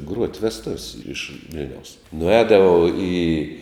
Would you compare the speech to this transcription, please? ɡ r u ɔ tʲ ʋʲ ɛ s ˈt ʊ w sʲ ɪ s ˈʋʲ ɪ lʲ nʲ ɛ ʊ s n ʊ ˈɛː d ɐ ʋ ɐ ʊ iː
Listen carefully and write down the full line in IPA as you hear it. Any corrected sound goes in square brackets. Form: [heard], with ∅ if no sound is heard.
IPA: ɡ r u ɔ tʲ ʋʲ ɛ s ˈt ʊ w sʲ ɪ [ʃ] ˈʋʲ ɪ lʲ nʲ ɛ ʊ s n ʊ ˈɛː d ɐ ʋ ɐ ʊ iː

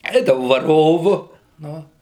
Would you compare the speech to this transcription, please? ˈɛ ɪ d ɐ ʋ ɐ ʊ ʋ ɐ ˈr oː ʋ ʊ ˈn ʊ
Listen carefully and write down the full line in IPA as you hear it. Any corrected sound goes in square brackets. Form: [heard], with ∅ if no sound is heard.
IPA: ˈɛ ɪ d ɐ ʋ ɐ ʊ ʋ ɐ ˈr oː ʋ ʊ ˈn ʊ

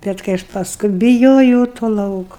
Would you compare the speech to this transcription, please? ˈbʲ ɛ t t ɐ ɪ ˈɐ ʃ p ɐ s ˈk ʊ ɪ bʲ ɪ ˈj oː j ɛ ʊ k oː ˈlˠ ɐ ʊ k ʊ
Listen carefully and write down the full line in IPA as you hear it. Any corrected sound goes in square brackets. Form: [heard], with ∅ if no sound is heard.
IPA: ˈbʲ ɛ t [k] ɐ ɪ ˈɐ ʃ p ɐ s ˈk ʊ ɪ bʲ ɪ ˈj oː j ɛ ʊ [t] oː ˈlˠ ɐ ʊ k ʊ

